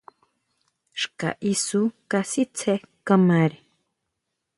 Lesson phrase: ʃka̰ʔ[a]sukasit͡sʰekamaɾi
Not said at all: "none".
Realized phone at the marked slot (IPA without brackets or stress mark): i